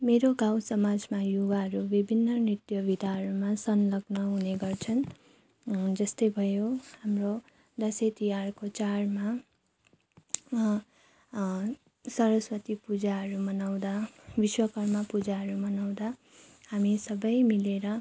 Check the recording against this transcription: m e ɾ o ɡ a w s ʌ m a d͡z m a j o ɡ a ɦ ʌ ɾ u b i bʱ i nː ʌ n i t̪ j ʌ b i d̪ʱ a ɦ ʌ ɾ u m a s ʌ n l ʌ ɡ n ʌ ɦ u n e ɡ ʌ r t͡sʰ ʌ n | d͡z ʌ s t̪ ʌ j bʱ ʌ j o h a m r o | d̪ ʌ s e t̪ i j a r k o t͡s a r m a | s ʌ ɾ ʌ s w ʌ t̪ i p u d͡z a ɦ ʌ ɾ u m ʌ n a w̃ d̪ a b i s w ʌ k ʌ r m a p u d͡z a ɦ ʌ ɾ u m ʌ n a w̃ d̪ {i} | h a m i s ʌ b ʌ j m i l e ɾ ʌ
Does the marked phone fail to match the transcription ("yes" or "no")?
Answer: yes